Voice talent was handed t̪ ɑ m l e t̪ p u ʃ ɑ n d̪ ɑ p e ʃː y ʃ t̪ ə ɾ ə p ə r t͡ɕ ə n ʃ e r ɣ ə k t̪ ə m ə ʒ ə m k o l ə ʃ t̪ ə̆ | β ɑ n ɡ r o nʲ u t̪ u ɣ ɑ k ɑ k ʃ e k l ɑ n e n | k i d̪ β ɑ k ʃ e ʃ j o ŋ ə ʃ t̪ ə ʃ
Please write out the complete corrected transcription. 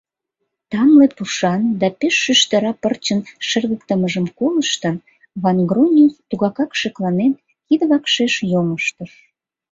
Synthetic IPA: t̪ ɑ m l e p u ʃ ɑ n d̪ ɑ p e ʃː y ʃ t̪ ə ɾ ɑ p ə r t͡ɕ ə n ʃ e r ɣ ə k t̪ ə m ə ʒ ə m k o l ə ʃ t̪ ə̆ | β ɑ n ɡ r o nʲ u t̪ u ɣ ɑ k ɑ k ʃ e k l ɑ n e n | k i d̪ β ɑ k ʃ e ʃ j o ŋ ə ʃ t̪ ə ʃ